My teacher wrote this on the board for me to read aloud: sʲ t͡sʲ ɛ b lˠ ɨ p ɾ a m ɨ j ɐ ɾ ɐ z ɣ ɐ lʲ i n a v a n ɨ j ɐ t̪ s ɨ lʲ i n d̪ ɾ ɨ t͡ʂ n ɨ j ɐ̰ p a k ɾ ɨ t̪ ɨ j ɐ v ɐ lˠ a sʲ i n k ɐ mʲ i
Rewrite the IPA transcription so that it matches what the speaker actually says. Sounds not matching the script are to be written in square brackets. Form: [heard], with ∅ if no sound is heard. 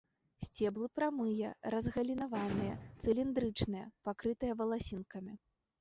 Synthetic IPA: sʲ t͡sʲ ɛ b lˠ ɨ p ɾ a m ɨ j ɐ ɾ ɐ z ɣ ɐ lʲ i n a v a n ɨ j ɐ t̪ s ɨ lʲ i n d̪ ɾ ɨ t͡ʂ n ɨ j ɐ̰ p a k ɾ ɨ t̪ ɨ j ɐ v ɐ lˠ a sʲ i n k ɐ mʲ i